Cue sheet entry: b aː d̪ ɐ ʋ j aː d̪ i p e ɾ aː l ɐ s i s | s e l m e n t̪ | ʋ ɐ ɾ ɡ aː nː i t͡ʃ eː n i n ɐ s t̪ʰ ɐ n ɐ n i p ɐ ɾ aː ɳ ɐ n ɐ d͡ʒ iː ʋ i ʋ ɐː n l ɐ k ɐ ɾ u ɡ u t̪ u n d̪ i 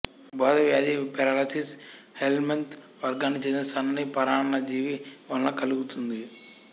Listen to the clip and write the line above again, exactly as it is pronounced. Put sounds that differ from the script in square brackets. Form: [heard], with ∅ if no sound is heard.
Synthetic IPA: b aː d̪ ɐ ʋ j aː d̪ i p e ɾ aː l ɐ s i s | [h] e l m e n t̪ | ʋ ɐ ɾ ɡ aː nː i t͡ʃ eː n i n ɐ s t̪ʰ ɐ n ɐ n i p ɐ ɾ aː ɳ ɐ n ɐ d͡ʒ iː ʋ i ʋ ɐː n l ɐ k ɐ [l] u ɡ u t̪ u n d̪ i

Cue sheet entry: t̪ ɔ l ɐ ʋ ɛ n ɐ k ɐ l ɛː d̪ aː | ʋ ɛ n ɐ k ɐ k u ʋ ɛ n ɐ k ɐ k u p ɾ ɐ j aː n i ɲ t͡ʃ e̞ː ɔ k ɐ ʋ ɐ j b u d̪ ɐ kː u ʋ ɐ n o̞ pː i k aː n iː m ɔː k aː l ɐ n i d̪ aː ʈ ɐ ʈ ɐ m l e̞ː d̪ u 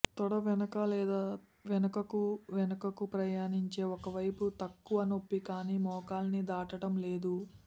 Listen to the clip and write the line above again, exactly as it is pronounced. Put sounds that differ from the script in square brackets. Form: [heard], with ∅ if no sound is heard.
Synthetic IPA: t̪ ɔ [ɽ] ɐ ʋ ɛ n ɐ k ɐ l ɛː d̪ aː | ʋ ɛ n ɐ k ɐ k u ʋ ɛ n ɐ k ɐ k u p ɾ ɐ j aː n i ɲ t͡ʃ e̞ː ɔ k ɐ ʋ ɐ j [p] u [t̪] ɐ kː u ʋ ɐ n o̞ pː i k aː n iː m ɔː k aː l ɐ n i d̪ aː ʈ ɐ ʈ ɐ m l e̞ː d̪ u

